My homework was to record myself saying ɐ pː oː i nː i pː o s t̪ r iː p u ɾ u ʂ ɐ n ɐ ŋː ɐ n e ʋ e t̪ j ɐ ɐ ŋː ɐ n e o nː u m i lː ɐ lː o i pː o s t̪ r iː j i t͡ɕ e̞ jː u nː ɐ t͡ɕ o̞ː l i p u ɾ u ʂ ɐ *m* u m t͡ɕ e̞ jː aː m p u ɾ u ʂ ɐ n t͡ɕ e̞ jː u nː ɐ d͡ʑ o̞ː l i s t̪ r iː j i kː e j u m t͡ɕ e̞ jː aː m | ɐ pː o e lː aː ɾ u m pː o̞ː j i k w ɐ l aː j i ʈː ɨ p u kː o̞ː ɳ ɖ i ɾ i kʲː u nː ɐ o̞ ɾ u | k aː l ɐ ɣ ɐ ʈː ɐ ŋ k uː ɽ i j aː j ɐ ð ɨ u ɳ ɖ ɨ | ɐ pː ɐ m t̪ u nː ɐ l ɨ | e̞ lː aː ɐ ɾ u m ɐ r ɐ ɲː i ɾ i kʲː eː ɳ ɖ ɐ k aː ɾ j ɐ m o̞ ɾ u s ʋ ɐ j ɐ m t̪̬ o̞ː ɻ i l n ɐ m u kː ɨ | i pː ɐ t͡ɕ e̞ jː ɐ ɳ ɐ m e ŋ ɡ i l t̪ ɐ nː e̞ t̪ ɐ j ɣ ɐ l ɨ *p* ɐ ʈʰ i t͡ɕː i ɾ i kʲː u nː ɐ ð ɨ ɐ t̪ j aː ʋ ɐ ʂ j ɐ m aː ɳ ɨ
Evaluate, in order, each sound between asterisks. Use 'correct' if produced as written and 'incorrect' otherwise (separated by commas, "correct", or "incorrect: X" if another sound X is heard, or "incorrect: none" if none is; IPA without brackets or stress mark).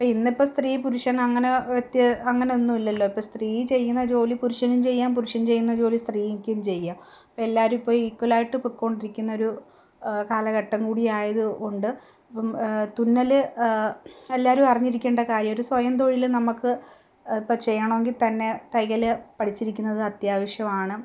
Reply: incorrect: n, correct